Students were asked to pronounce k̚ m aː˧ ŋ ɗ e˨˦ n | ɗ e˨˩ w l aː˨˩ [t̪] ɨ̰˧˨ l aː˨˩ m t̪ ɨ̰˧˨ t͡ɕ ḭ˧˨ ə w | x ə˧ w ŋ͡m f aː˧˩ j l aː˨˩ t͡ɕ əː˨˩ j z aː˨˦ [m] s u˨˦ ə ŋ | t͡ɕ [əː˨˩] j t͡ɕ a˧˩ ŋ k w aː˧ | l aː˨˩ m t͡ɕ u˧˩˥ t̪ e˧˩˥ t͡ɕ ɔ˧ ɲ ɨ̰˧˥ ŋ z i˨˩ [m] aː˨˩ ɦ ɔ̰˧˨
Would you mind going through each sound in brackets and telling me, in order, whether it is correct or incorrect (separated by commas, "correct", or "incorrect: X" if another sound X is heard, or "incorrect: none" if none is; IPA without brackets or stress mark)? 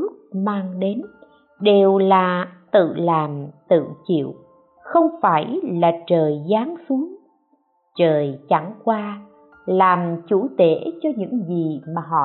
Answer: correct, incorrect: ŋ, correct, correct